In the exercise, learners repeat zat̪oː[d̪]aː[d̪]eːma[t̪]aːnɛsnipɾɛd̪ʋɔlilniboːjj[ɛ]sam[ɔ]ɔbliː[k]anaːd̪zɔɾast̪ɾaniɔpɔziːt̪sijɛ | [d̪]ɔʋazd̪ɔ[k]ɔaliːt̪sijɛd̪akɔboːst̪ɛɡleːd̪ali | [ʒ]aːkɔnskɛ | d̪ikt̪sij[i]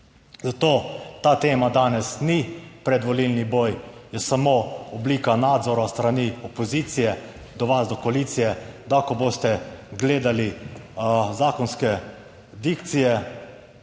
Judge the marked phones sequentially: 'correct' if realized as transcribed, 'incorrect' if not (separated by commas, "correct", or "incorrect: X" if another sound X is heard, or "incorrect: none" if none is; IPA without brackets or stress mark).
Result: incorrect: t̪, incorrect: t̪, incorrect: d̪, correct, incorrect: o, correct, correct, correct, incorrect: z, incorrect: ɛ